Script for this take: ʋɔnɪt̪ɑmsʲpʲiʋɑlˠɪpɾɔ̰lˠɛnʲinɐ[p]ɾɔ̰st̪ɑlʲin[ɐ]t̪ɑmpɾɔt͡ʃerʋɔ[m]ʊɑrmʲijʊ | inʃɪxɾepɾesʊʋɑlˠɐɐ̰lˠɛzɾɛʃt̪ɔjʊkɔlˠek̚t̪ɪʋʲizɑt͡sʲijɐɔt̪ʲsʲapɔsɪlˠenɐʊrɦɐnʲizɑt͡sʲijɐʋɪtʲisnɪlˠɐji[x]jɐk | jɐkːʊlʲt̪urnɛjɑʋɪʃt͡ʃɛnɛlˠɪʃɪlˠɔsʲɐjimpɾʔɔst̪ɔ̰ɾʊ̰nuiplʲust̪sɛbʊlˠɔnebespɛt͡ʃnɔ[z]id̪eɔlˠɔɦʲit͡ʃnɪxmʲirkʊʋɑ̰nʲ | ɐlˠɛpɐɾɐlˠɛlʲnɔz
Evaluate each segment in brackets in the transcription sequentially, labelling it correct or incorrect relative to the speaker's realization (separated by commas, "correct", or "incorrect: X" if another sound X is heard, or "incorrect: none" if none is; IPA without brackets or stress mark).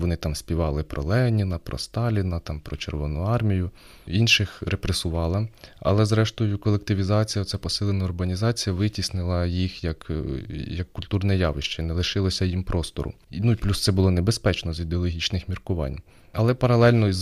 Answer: correct, correct, incorrect: n, correct, correct